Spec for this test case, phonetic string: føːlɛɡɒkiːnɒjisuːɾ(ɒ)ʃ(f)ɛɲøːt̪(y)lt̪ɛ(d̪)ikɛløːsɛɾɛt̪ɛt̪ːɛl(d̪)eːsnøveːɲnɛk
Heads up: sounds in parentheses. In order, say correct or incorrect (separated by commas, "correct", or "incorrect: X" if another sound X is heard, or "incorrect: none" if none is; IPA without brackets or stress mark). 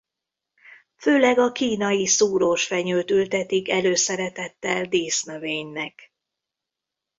incorrect: o, correct, correct, incorrect: t̪, correct